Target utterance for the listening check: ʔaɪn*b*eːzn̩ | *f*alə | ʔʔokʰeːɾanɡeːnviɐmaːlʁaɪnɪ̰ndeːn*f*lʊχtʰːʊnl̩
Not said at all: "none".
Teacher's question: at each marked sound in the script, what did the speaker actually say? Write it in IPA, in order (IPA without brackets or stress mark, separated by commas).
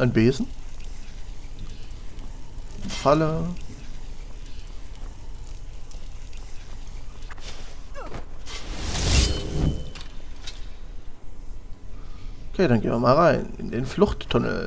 b, f, f